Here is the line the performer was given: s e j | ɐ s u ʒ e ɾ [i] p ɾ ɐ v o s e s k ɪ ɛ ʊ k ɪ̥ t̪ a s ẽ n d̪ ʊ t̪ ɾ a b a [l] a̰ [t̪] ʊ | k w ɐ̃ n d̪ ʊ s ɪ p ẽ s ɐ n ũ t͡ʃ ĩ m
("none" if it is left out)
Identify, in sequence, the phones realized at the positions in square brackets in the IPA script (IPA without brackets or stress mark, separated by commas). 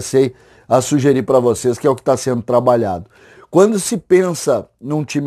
i, ʎ, d̪